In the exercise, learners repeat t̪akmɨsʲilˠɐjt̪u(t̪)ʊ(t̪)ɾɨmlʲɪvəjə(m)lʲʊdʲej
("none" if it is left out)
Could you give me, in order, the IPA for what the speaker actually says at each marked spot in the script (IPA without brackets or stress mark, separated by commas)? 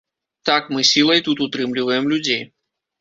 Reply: t̪, t̪, m